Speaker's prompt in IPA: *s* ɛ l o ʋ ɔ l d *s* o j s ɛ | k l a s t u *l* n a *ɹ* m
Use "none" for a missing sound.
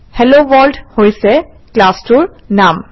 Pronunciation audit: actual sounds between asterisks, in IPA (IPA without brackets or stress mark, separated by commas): h, h, ɹ, none